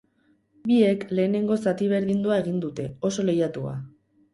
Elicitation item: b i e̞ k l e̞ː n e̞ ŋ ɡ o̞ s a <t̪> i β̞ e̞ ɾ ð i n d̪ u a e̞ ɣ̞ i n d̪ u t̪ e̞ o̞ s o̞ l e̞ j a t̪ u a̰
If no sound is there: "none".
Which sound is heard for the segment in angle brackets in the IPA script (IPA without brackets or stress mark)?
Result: t̪